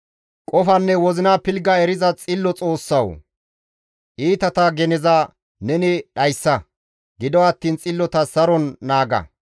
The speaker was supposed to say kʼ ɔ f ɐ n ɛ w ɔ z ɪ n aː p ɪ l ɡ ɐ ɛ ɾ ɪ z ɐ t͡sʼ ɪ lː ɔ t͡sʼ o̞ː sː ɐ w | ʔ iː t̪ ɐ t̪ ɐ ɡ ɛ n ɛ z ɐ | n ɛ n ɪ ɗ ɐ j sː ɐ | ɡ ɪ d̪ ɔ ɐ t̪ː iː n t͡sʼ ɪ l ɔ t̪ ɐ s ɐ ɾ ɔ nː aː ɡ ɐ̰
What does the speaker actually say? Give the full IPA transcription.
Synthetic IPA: kʼ ɔ f ɐ nː ɛ w ɔ z ɪ n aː p ɪ l ɡ ɐ ɛ ɾ ɪ z ɐ t͡sʼ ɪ lː ɔ t͡sʼ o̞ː sː ɐ w | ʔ iː t̪ ɐ t̪ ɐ ɡ ɛ n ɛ z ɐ | n ɛ n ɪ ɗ ɐ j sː ɐ | ɡ ɪ d̪ ɔ ɐ t̪ː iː n t͡sʼ ɪ lː ɔ t̪ ɐ s ɐ ɾ ɔ nː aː ɡ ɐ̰